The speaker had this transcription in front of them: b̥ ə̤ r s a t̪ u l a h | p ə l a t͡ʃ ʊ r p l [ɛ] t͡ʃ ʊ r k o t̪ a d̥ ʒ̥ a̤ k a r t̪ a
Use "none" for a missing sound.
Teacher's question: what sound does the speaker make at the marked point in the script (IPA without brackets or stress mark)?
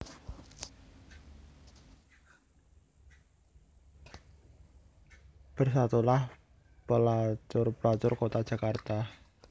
a